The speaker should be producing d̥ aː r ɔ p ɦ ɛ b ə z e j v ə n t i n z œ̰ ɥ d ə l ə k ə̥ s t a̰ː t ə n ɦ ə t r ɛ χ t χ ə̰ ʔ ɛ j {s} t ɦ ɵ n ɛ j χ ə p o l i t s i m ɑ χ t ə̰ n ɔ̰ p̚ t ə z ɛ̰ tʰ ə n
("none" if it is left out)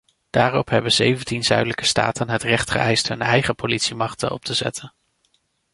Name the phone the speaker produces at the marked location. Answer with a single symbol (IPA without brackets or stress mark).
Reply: s